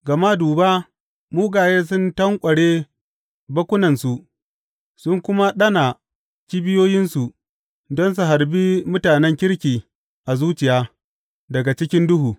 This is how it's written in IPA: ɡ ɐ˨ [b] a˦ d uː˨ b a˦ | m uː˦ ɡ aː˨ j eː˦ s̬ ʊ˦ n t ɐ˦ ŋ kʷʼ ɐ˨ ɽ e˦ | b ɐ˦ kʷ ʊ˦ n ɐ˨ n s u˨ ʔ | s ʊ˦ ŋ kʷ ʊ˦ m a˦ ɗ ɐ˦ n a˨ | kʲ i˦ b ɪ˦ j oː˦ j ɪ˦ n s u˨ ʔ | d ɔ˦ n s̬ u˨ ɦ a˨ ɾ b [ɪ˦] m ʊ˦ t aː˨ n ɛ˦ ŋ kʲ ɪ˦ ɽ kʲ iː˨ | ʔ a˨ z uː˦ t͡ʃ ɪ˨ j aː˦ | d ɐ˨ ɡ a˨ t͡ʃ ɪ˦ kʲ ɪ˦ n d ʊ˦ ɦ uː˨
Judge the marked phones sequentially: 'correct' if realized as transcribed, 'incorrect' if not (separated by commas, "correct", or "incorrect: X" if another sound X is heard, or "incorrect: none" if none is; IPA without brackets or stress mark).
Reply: incorrect: m, incorrect: i˦